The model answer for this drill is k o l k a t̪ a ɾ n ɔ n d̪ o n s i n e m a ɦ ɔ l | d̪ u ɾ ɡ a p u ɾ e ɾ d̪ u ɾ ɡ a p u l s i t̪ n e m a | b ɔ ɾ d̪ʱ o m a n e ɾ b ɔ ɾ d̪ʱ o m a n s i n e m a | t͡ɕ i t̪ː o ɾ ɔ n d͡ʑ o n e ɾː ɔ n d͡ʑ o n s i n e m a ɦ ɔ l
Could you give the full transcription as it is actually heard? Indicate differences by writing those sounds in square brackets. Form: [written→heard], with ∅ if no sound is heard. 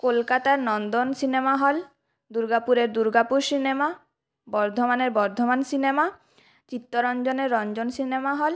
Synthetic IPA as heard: k o l k a t̪ a ɾ n ɔ n d̪ o n s i n e m a ɦ ɔ l | d̪ u ɾ ɡ a p u ɾ e ɾ d̪ u ɾ ɡ a p u [l→ɾ] s i [t̪→∅] n e m a | b ɔ ɾ d̪ʱ o m a n e ɾ b ɔ ɾ d̪ʱ o m a n s i n e m a | t͡ɕ i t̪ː o ɾ ɔ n d͡ʑ o n e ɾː ɔ n d͡ʑ o n s i n e m a ɦ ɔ l